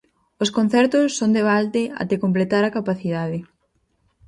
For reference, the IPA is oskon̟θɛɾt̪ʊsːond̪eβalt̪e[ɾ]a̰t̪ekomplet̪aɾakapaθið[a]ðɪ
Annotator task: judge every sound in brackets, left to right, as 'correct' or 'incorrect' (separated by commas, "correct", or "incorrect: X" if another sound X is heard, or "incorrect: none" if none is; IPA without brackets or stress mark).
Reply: incorrect: none, correct